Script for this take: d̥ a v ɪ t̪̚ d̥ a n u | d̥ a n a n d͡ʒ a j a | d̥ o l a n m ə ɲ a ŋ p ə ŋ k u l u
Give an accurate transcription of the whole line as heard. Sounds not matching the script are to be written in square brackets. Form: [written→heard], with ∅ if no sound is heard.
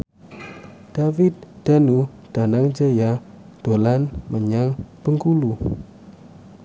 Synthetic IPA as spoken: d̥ a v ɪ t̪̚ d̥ a n u | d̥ a n a [n→ŋ] d͡ʒ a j a | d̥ o l a n m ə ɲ a ŋ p ə ŋ k u l u